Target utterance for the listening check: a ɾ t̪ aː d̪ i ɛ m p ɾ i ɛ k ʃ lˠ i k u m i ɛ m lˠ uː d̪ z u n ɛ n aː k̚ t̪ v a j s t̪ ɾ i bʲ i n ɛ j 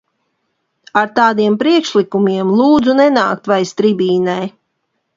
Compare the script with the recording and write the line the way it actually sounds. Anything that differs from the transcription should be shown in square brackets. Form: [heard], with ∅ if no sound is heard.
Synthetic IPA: a ɾ t̪ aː d̪ i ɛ m p ɾ i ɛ k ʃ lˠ i k u m i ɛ m lˠ uː d̪ z u n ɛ n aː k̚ t̪ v a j s t̪ ɾ i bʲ [iː] n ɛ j